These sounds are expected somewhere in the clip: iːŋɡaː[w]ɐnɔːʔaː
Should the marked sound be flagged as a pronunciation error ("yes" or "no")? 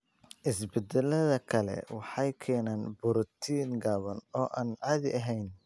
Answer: yes